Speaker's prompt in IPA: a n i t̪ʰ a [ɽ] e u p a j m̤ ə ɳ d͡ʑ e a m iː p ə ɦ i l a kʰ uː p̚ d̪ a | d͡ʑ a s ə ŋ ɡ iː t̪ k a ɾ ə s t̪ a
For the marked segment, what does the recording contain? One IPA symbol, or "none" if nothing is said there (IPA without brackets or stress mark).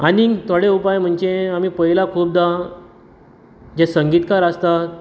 ɽ